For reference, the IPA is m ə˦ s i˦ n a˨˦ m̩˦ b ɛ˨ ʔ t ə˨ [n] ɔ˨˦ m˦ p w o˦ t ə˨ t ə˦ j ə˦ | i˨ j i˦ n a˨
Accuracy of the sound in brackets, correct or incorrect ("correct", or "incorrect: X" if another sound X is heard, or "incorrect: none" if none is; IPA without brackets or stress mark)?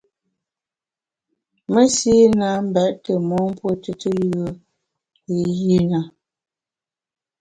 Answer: incorrect: m